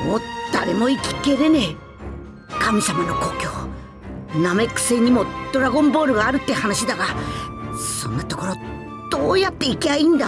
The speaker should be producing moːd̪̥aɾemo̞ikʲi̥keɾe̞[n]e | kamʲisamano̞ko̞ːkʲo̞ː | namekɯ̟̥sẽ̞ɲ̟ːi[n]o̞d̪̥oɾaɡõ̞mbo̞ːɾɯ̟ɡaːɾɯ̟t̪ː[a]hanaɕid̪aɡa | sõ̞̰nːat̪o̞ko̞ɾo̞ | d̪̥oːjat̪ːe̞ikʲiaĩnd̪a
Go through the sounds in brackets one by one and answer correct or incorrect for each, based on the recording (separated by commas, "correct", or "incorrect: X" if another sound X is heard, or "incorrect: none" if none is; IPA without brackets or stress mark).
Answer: correct, incorrect: m, incorrect: e